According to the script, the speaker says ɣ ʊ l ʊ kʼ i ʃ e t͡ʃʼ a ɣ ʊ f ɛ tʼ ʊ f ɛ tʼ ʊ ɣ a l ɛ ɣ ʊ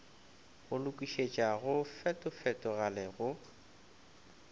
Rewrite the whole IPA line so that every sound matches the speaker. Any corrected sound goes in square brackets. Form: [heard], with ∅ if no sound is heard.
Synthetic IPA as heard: ɣ ʊ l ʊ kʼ i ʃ e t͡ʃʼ a ɣ ʊ f ɛ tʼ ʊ f ɛ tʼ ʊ ɣ a l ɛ ɣ ʊ